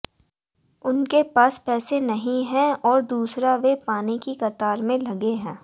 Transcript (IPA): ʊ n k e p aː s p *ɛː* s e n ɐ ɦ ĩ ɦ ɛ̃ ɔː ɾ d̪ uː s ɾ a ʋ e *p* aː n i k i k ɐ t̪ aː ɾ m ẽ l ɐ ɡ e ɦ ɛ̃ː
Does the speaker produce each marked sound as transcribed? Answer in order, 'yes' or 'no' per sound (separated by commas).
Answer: yes, yes